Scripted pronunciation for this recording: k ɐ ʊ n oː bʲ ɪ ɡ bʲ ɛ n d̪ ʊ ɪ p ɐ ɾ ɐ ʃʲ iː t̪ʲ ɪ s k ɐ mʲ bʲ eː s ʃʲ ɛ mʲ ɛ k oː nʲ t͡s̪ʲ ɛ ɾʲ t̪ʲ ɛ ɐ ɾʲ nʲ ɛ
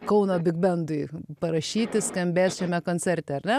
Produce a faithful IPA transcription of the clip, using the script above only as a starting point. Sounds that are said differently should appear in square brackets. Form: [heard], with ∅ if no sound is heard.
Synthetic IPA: k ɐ ʊ n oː bʲ ɪ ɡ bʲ ɛ n d̪ ʊ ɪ p ɐ ɾ ɐ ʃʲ iː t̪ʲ ɪ s k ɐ mʲ bʲ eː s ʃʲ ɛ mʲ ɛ k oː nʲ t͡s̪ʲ ɛ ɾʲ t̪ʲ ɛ ɐ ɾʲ nʲ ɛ